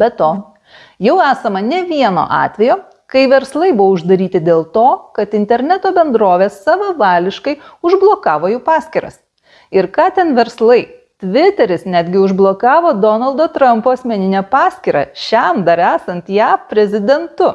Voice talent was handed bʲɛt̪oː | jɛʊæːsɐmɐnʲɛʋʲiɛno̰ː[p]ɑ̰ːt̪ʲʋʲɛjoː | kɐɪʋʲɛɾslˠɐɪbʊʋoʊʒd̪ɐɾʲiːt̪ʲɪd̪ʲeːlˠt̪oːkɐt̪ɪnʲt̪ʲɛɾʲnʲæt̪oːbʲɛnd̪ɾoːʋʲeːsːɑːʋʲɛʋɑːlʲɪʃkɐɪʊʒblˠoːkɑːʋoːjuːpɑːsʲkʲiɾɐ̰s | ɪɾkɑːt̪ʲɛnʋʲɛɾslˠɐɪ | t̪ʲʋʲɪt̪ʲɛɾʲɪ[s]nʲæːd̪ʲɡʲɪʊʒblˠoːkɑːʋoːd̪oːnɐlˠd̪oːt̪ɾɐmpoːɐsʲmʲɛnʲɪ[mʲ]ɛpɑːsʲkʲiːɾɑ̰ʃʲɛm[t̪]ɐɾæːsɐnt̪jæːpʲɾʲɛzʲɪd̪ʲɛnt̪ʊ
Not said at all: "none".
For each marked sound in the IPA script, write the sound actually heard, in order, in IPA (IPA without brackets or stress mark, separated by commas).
ʔ, s, nʲ, d̪